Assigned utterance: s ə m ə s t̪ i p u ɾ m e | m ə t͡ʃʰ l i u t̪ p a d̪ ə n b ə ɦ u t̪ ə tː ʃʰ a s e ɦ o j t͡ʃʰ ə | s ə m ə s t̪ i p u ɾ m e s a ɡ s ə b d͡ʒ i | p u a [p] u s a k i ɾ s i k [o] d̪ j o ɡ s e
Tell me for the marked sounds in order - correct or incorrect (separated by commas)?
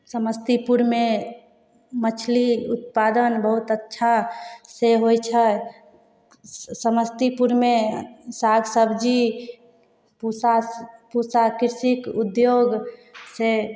correct, incorrect